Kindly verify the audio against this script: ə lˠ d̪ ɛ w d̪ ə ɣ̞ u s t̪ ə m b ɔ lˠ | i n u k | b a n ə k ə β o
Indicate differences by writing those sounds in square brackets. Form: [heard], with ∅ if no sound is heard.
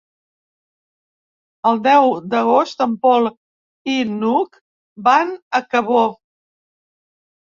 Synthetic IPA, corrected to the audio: ə lˠ d̪ ɛ w d̪ ə ɣ̞ [o] s t̪ ə m [p] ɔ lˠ | i n u k | b a n ə k ə β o